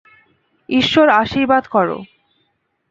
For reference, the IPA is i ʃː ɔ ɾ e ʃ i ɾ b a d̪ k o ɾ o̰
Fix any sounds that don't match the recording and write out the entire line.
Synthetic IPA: i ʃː o ɾ a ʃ i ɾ b a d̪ k ɔ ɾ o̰